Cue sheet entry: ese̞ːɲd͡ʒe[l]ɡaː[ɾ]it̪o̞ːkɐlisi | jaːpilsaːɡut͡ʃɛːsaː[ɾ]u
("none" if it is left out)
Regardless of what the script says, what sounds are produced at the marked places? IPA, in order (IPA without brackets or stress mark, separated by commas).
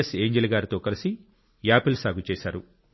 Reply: l, ɾ, ɾ